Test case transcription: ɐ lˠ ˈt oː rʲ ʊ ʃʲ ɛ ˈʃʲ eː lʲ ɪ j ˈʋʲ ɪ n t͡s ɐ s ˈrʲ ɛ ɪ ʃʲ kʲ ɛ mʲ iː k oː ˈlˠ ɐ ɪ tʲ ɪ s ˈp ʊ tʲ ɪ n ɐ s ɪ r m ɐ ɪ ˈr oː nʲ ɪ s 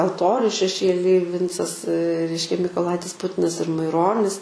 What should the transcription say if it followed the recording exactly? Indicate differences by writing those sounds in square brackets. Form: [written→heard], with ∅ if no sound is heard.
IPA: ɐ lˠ ˈt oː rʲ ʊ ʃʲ ɛ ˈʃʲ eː lʲ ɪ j ˈʋʲ ɪ n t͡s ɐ s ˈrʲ ɛ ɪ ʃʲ kʲ ɛ mʲ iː k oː ˈlˠ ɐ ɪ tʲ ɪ s ˈp ʊ tʲ ɪ n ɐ s ɪ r m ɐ ɪ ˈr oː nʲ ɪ s